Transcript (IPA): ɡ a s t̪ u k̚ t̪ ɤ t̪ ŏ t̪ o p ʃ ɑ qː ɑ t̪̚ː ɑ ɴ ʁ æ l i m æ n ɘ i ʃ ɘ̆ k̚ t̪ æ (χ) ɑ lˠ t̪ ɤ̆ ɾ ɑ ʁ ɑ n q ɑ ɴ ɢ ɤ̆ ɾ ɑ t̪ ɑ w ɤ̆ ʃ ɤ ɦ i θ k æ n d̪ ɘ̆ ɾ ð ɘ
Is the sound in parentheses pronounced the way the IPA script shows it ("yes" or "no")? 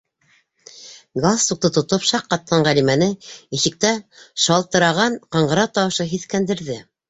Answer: no